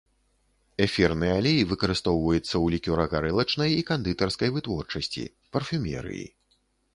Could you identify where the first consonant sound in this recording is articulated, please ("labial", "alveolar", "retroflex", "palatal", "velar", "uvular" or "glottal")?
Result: labial